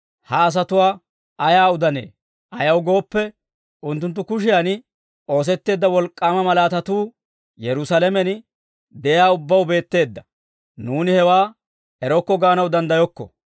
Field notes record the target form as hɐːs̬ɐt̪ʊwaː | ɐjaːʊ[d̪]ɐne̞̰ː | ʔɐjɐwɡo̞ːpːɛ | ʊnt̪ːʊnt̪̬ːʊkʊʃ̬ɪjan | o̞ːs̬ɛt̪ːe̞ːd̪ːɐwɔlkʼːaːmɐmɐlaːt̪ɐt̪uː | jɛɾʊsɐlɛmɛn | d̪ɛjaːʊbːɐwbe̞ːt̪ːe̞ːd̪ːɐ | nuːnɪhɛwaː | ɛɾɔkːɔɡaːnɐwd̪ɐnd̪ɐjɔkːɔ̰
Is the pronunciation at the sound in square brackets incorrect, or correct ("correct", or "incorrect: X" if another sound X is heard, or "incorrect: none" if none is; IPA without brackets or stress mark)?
correct